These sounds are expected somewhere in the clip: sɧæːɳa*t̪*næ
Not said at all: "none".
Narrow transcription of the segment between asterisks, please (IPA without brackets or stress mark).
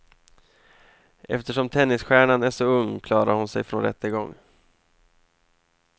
none